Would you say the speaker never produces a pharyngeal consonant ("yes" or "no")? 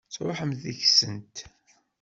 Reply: no